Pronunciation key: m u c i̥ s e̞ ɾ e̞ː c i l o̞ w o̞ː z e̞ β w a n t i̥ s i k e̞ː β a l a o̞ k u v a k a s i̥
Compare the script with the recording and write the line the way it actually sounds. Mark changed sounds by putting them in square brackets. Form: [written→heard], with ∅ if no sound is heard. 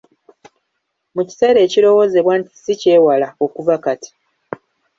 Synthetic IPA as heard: m u c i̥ s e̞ ɾ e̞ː c i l o̞ w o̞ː z e̞ β w a n t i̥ s i [k→c] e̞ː [β→w] a l a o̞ k u v a k a [s→t] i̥